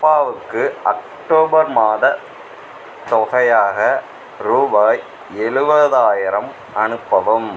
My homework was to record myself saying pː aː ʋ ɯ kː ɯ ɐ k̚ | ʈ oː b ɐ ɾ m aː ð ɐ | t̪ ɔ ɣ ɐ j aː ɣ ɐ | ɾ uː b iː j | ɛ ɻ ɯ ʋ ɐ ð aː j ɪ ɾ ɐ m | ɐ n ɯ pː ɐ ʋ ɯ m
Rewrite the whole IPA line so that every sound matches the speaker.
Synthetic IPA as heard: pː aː ʋ ɯ kː ɯ ɐ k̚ | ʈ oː b ɐ ɾ m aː ð ɐ | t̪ ɔ ɣ ɐ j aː ɣ ɐ | ɾ uː b aː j | ɛ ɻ ɯ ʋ ɐ ð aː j ɪ ɾ ɐ m | ɐ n ɯ pː ɐ ʋ ɯ m